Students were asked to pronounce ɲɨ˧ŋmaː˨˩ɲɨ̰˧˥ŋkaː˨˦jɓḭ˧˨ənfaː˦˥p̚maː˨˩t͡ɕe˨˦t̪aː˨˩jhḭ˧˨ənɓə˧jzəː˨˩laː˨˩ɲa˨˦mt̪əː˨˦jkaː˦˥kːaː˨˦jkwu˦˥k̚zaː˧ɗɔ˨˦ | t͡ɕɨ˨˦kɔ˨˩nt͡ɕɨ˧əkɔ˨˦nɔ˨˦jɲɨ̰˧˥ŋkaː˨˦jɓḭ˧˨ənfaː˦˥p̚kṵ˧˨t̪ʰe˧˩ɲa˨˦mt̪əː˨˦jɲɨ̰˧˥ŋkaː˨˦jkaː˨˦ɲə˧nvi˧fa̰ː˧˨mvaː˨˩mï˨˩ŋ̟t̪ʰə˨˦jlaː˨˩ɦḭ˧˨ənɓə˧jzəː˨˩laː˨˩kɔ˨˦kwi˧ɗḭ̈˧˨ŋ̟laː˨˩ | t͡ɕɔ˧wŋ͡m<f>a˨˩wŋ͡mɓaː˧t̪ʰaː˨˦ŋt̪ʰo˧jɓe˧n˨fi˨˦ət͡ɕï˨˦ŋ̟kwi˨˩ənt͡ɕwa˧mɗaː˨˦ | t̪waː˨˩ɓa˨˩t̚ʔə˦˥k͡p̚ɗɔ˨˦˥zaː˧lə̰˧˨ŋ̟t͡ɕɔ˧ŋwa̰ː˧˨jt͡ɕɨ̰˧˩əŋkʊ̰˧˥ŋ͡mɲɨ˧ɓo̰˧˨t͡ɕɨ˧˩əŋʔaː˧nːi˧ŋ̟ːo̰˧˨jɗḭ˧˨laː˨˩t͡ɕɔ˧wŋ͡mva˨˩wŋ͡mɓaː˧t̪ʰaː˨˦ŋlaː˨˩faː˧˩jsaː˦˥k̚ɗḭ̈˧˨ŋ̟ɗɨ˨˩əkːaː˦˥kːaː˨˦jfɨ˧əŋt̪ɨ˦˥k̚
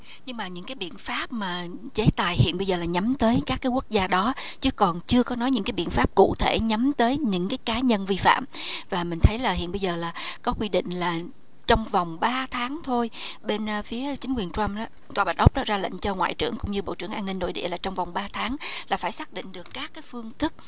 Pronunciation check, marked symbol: incorrect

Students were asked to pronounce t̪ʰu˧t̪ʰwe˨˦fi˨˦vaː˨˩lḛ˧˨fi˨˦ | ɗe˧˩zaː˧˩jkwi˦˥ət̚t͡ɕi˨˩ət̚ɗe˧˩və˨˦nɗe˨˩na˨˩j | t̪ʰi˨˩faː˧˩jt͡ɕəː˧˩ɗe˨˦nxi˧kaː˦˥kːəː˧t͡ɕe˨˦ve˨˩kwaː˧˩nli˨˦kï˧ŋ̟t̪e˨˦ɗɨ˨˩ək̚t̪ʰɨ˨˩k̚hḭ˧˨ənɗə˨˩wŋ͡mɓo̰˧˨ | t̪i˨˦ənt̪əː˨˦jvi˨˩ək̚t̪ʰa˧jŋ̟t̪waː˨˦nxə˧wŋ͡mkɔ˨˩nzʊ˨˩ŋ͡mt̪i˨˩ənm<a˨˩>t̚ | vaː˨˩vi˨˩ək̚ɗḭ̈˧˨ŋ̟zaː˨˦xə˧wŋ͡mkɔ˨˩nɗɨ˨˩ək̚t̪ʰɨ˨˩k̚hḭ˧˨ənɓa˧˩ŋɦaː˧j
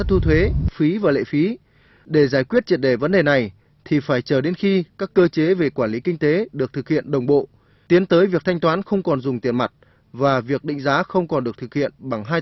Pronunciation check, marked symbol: correct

